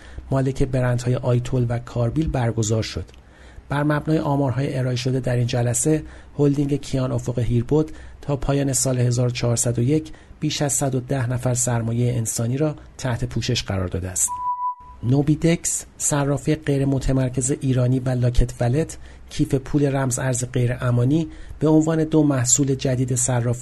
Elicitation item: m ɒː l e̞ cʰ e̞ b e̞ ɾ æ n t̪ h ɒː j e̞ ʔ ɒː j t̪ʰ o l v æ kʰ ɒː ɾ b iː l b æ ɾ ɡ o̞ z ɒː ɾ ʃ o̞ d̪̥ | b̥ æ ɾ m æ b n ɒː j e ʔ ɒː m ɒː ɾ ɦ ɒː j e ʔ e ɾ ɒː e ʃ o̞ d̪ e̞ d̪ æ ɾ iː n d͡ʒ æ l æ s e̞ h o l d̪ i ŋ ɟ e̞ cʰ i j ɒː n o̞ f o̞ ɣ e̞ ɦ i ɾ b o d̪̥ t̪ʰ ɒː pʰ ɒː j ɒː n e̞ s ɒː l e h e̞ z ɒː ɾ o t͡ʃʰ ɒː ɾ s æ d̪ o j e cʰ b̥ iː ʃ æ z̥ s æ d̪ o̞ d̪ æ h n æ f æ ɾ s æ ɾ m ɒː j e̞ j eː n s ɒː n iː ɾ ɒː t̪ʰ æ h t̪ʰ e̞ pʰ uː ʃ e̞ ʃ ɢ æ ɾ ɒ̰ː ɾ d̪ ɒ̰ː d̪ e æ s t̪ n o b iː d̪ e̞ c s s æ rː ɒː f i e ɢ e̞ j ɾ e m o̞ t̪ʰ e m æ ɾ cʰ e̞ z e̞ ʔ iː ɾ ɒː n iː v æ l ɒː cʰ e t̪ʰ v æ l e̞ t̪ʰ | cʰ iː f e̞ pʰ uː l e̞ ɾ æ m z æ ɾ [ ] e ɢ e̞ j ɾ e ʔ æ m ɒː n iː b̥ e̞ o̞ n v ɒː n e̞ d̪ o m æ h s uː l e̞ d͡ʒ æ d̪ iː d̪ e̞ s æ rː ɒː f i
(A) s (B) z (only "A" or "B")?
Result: B